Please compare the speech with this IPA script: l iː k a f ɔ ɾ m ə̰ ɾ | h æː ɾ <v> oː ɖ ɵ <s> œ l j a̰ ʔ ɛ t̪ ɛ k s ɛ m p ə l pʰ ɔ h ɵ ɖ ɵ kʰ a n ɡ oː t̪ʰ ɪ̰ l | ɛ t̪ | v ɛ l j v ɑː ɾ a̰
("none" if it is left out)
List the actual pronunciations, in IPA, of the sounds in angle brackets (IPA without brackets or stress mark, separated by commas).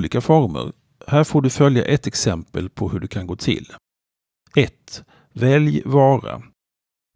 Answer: f, f